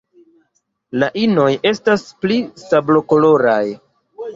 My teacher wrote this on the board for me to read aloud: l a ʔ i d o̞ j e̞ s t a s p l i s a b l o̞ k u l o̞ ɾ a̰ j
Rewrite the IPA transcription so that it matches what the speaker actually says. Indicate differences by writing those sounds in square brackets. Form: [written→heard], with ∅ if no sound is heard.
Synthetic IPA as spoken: l a ʔ i [d→n] o̞ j e̞ s t a s p l i s a b l o̞ k [u→o] l o̞ ɾ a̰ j